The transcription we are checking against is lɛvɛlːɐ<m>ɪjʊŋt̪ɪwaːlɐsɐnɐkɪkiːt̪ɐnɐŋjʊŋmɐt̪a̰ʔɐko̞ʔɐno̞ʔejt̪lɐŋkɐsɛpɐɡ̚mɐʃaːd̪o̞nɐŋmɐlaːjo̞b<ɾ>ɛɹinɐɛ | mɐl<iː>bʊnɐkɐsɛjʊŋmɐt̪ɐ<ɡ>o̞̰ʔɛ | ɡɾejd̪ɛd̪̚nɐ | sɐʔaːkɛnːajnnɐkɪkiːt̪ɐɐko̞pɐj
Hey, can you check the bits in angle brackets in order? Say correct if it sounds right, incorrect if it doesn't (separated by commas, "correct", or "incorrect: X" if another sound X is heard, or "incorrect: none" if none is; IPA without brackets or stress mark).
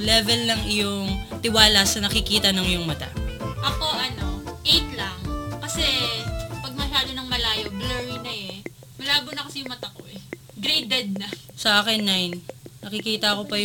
incorrect: ŋ, incorrect: l, incorrect: aː, incorrect: k